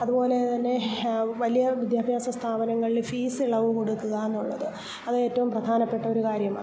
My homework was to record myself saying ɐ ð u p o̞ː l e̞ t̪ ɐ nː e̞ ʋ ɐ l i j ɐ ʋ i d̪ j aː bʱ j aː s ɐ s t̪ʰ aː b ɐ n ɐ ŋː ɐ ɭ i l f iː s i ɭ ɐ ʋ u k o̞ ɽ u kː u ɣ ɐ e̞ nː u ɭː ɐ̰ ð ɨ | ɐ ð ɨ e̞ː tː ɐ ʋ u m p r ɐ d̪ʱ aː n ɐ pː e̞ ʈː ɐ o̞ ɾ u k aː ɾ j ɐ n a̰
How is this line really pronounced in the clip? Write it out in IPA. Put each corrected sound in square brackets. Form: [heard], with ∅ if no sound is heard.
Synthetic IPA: ɐ ð u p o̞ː l e̞ t̪ ɐ nː e̞ ʋ ɐ l i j ɐ ʋ i d̪ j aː bʱ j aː s ɐ s t̪ʰ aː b ɐ n ɐ ŋː ɐ ɭ i l f iː s i ɭ ɐ ʋ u k o̞ ɽ u kː u ɣ ɐ e̞ nː u ɭː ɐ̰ ð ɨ | ɐ ð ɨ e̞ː tː ɐ ʋ u m p r ɐ d̪ʱ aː n ɐ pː e̞ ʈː ɐ o̞ ɾ u k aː ɾ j ɐ [m] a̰